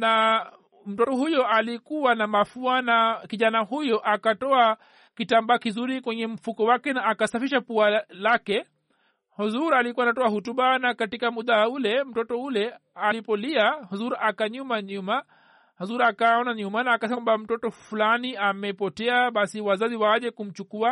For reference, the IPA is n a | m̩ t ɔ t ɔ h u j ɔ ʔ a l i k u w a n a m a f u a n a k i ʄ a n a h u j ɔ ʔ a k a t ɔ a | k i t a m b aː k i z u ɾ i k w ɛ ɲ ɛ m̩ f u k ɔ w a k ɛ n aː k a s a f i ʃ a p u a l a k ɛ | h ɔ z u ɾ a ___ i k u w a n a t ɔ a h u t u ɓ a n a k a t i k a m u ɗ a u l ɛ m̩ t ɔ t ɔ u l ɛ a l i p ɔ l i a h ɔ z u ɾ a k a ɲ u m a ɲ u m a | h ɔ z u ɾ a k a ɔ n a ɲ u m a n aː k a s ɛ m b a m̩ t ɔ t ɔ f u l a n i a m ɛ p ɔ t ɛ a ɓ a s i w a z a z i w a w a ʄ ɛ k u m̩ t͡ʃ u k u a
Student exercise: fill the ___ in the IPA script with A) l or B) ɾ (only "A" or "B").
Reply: A